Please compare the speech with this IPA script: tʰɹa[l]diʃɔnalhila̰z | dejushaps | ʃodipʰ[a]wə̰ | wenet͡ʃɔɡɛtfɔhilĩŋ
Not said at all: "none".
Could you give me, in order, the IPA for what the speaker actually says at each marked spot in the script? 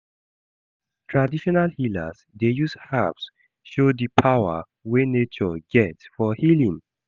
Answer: none, a

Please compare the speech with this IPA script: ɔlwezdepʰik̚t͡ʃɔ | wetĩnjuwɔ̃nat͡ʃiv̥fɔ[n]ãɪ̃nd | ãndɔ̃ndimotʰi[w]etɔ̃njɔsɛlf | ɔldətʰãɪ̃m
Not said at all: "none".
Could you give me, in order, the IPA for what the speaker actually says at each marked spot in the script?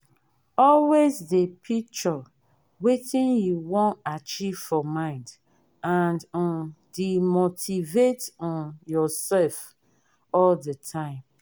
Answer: m, v

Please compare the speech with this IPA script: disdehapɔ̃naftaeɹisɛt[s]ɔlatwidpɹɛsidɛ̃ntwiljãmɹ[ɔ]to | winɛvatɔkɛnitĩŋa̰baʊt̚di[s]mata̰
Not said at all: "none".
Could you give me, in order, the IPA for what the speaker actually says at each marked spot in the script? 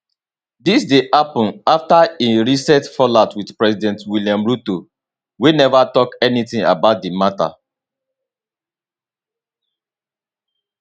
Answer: f, u, none

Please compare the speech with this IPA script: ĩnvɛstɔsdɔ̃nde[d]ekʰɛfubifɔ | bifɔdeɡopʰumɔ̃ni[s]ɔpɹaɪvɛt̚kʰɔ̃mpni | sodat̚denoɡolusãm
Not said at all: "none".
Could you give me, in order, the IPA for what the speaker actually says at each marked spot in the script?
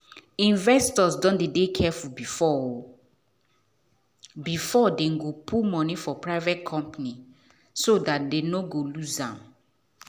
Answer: d, f

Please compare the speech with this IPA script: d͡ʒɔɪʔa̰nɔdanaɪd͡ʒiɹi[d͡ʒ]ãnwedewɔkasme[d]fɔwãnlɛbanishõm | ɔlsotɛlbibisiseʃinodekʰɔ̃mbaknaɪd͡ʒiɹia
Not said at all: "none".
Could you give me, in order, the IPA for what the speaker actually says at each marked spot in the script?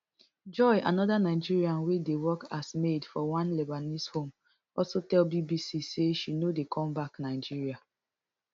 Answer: none, d

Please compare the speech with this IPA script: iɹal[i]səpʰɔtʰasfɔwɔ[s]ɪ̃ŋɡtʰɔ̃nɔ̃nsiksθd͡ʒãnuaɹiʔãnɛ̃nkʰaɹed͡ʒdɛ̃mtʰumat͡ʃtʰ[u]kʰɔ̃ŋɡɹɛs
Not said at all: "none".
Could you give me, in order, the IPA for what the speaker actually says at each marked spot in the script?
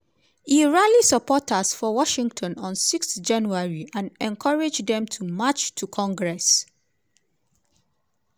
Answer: i, ʃ, u

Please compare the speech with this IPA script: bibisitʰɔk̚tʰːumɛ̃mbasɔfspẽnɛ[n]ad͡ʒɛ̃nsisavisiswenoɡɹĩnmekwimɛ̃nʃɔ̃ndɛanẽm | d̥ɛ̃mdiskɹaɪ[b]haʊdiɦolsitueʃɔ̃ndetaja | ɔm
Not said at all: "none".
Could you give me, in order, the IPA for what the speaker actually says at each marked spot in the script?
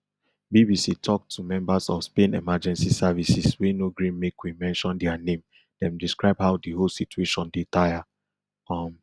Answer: m, b

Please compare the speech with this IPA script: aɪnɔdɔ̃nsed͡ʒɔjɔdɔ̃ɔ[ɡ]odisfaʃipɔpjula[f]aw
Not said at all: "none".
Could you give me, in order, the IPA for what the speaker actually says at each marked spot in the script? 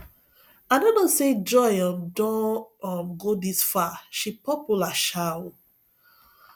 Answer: ɡ, ʃ

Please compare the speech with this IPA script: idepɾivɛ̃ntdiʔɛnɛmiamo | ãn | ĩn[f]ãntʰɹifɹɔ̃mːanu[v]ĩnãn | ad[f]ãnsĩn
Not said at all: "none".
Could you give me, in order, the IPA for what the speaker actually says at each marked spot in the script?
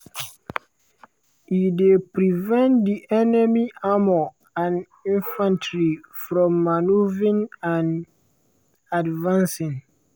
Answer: f, v, v

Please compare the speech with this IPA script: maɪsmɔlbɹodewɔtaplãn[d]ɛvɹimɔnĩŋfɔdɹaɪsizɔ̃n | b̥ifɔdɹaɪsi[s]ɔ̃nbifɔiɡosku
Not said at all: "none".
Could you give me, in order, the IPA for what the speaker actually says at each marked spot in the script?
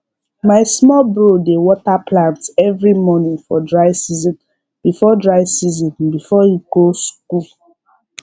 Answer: t, z

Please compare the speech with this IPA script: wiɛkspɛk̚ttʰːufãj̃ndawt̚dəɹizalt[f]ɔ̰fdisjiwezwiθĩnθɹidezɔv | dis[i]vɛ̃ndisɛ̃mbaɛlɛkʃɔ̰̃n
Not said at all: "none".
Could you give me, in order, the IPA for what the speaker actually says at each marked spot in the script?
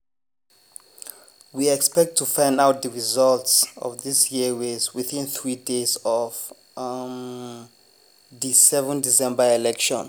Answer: s, ɛ

